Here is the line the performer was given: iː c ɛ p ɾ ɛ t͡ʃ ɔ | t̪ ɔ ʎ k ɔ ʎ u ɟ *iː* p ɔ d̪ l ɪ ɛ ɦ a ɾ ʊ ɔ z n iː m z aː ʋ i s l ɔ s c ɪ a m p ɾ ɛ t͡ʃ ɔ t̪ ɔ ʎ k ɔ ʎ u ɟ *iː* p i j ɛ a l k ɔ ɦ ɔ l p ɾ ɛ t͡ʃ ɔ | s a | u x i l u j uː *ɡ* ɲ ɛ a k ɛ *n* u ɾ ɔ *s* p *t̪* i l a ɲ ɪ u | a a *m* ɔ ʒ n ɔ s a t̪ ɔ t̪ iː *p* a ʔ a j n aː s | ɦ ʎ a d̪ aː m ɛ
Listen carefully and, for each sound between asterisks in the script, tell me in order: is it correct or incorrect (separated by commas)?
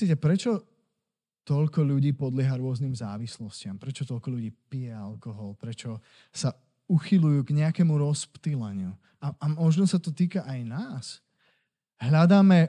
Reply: correct, correct, correct, incorrect, correct, correct, correct, incorrect